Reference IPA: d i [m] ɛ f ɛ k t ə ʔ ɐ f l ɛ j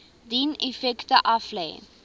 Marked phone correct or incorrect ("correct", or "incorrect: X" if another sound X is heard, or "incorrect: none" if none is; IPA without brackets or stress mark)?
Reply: incorrect: n